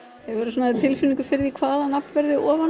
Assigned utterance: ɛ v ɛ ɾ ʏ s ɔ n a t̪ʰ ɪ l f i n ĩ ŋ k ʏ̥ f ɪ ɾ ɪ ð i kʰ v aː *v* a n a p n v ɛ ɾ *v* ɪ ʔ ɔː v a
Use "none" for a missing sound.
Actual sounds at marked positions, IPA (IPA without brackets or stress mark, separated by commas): ð, ð